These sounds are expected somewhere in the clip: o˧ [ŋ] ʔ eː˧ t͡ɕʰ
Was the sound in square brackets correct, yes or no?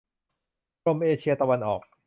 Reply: no